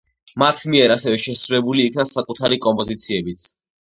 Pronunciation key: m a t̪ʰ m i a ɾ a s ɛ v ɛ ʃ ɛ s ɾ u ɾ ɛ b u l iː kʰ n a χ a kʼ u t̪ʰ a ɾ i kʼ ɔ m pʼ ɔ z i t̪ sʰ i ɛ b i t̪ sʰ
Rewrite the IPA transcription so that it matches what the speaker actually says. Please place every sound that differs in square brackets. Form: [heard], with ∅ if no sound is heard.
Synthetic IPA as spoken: m a t̪ʰ m i [ɛ] ɾ a s ɛ v ɛ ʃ ɛ s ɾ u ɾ ɛ b u l iː kʰ n a [s] a kʼ u t̪ʰ a ɾ i kʼ ɔ m pʼ ɔ z i t̪ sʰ i ɛ b i t̪ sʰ